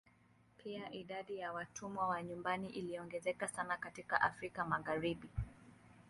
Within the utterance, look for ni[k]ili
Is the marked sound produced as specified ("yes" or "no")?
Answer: no